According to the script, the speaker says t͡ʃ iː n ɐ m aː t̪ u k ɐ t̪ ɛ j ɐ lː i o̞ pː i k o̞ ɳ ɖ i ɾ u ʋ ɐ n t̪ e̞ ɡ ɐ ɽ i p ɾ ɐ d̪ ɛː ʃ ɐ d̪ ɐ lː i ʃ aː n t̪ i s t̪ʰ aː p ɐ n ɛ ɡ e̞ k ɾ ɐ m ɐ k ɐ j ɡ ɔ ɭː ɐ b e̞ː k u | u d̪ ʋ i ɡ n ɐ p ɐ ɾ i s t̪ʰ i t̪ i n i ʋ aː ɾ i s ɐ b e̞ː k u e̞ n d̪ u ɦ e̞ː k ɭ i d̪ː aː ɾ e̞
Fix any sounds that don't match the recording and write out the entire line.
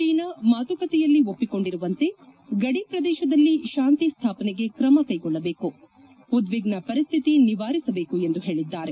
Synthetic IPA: t͡ʃ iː n ɐ m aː t̪ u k ɐ t̪ ɛ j ɐ lː i o̞ pː i k o̞ ɳ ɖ i ɾ u ʋ ɐ n t̪ e̞ ɡ ɐ ɽ i p ɾ ɐ d̪ ɛː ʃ ɐ d̪ ɐ lː i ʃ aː n t̪ i s t̪ʰ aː p ɐ n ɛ ɡ e̞ k ɾ ɐ m ɐ k ɐ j ɡ ɔ ɭː ɐ b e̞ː k u | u d̪ ʋ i ɡ n ɐ p ɐ ɾ i s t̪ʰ i t̪ i n i ʋ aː ɾ i s ɐ b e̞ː k u e̞ n d̪ u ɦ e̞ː ɭ i d̪ː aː ɾ e̞

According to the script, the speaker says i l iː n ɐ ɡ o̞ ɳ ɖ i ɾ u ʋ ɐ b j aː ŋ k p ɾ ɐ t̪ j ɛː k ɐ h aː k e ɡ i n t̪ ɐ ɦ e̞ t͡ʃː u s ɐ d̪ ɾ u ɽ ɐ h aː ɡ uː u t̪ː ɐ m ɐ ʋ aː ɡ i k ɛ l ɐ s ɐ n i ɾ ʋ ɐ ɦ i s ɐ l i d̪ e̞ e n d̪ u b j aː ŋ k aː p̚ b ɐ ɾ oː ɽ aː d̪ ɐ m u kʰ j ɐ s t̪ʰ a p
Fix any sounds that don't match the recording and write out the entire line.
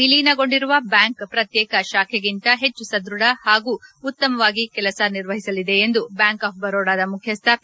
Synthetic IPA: i l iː n ɐ ɡ o̞ ɳ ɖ i ɾ u ʋ ɐ b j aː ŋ k p ɾ ɐ t̪ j ɛː k ɐ ʃ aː kʰ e ɡ i n t̪ ɐ ɦ e̞ t͡ʃː u s ɐ d̪ ɾ u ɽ ɐ h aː ɡ uː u t̪ː ɐ m ɐ ʋ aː ɡ i k ɛ l ɐ s ɐ n i ɾ ʋ ɐ ɦ i s ɐ l i d̪ e̞ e n d̪ u b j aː ŋ k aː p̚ b ɐ ɾ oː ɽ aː d̪ ɐ m u kʰ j ɐ s t̪ʰ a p

